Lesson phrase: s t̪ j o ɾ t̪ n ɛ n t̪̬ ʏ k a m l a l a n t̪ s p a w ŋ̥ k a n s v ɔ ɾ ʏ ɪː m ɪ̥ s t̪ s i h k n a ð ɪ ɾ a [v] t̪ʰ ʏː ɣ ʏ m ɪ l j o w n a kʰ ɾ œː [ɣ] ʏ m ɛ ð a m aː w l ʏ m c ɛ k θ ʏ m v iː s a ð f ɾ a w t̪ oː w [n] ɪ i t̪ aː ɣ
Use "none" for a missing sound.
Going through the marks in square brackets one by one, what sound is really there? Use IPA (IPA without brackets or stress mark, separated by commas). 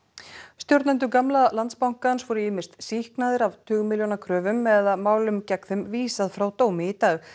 v, v, m